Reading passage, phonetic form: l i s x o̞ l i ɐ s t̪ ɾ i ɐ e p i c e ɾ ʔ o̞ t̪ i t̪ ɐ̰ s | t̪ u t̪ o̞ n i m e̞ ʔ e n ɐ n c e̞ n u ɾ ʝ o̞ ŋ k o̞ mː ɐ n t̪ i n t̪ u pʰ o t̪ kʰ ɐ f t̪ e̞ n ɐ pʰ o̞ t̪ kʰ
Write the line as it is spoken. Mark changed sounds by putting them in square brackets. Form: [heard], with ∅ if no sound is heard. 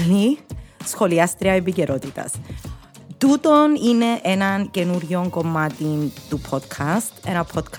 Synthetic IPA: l i s x o̞ l i ɐ s t̪ ɾ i ɐ e p i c e ɾ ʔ o̞ t̪ i t̪ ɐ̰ s | t̪ u t̪ o̞ n i [n] e̞ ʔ e n ɐ n c e̞ n u ɾ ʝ o̞ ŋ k o̞ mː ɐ [∅] t̪ i n t̪ u pʰ o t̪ kʰ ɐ [s] t̪ e̞ n ɐ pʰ o̞ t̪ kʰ